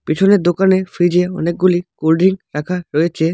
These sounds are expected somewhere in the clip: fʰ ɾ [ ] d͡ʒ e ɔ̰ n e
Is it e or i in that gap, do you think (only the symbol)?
i